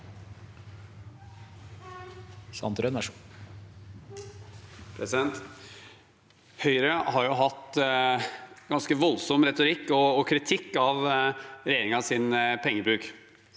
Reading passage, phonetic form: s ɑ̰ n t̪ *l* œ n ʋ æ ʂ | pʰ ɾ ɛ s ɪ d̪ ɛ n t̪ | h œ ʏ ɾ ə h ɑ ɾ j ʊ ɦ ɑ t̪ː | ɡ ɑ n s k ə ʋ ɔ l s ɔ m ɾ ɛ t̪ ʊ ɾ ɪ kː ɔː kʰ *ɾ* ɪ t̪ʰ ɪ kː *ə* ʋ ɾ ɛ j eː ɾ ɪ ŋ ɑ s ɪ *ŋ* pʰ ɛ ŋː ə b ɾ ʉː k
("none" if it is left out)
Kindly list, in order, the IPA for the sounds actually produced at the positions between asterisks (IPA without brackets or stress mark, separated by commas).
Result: ɾ, ɾ, ɑ, n